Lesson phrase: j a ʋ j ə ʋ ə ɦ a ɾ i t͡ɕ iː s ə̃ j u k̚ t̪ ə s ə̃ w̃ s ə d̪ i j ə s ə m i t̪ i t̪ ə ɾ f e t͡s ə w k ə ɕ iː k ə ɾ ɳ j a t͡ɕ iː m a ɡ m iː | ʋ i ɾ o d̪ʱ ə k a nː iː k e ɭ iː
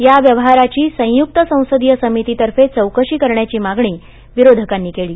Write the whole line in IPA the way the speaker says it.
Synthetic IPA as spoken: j a ʋ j ə ʋ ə ɦ a ɾ a t͡ɕ iː s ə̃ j u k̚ t̪ ə s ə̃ w̃ s ə d̪ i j ə s ə m i t̪ i t̪ ə ɾ f e t͡s ə w k ə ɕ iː k ə ɾ ɳ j a t͡ɕ iː m a ɡ ɳ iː | ʋ i ɾ o d̪ʱ ə k a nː iː k e ɭ iː